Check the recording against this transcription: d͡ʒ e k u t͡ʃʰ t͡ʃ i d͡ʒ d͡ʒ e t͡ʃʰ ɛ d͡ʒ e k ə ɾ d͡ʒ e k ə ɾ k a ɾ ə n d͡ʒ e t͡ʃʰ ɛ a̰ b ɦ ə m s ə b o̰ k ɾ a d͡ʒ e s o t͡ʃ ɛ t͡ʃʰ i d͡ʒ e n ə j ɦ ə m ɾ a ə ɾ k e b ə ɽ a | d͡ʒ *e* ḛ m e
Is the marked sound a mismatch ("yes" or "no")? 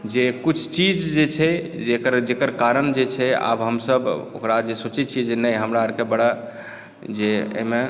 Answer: no